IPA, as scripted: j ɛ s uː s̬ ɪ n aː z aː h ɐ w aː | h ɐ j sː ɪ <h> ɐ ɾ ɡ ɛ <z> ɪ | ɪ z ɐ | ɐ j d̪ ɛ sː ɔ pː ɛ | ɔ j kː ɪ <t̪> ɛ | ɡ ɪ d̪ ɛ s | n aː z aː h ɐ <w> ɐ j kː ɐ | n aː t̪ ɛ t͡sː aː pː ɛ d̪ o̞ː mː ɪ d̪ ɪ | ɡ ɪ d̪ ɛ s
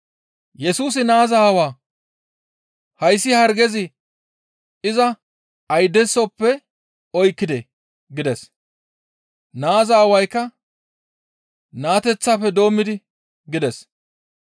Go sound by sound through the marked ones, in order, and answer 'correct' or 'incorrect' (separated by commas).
correct, correct, incorrect, correct